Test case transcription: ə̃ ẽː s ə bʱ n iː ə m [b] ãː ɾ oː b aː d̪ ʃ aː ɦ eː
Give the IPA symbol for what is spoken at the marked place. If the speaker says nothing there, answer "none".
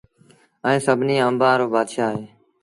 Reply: b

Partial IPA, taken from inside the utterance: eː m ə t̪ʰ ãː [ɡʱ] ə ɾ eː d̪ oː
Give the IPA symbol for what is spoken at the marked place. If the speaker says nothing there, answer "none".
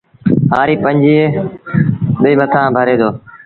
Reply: bʱ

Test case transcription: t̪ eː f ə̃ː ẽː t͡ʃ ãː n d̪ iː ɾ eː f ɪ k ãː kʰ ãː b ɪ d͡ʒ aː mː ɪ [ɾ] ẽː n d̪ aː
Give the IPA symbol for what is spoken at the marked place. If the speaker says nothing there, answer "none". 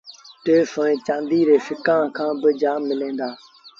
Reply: l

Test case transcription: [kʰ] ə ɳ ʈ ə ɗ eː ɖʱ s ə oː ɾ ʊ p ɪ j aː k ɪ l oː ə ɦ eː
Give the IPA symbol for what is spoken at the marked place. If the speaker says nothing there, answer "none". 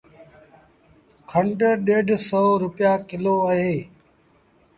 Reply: kʰ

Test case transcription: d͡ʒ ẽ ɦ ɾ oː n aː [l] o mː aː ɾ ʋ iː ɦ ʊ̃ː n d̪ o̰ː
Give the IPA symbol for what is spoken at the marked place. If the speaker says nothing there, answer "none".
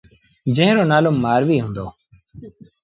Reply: l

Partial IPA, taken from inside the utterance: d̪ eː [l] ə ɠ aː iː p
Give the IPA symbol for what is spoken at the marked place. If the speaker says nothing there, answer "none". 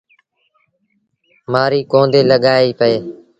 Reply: l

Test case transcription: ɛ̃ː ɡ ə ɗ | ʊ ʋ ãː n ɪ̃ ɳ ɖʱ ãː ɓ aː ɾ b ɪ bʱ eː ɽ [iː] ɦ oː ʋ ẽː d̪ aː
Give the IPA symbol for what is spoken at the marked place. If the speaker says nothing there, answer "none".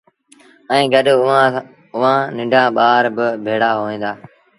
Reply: aː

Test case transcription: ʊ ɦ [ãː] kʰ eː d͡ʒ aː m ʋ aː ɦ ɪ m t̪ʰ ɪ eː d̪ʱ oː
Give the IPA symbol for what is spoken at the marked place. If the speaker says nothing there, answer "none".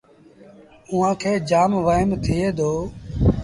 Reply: ãː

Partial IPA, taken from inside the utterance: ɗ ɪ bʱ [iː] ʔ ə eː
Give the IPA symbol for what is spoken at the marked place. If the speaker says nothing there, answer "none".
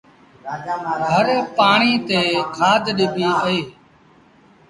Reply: iː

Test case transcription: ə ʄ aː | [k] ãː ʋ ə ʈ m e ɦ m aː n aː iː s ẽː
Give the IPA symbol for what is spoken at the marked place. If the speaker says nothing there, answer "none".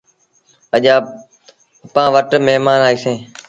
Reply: p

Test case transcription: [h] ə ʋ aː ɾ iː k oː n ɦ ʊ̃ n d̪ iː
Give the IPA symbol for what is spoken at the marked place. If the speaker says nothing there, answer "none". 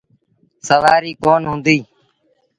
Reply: s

